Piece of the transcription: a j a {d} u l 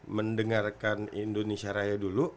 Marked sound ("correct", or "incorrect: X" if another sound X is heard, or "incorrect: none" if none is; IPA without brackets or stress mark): correct